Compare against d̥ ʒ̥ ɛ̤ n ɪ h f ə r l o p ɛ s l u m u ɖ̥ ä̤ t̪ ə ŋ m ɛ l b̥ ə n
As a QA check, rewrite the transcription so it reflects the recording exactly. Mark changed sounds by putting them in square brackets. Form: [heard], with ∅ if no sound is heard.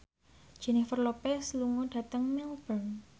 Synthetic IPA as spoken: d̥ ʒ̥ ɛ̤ n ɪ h f ə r l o p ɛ s l u [ŋ] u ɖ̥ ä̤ t̪ ə ŋ m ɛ l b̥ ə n